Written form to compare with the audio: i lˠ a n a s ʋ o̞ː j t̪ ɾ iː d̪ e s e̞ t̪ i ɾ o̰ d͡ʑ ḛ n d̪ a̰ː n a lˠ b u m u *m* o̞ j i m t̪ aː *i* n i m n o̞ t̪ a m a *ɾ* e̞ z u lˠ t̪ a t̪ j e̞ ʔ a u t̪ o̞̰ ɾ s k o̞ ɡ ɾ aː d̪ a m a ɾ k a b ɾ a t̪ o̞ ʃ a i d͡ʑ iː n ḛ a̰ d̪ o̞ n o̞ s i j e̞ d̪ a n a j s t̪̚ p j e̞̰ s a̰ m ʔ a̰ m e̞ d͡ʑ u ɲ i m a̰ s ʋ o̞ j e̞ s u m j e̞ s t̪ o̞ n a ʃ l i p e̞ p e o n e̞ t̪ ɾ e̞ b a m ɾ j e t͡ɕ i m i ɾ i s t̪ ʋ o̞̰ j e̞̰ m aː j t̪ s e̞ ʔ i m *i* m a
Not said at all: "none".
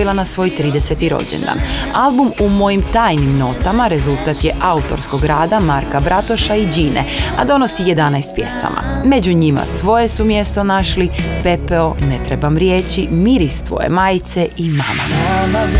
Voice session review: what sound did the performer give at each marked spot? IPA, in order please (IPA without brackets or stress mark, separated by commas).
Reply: m, j, ɾ, a